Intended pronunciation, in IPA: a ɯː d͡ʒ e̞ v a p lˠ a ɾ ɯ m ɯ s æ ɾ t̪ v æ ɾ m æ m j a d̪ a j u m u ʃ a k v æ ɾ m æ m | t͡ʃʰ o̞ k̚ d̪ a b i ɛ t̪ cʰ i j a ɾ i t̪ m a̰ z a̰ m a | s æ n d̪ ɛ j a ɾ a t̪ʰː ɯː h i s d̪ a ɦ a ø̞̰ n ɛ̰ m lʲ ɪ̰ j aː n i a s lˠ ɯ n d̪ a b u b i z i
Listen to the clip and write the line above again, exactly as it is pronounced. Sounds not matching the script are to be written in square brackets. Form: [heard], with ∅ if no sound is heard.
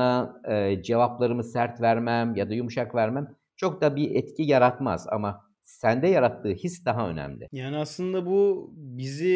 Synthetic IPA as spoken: a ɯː d͡ʒ e̞ v a p lˠ a ɾ ɯ m ɯ s æ ɾ t̪ v æ ɾ m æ m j a d̪ a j u m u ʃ a k v æ ɾ m æ m | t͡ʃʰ o̞ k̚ d̪ a b i ɛ t̪ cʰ i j a ɾ [a] t̪ m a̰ z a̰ m a | s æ n d̪ ɛ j a ɾ a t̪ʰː ɯː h i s d̪ a ɦ a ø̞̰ n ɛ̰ m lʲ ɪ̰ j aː n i a s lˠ ɯ n d̪ a b u b i z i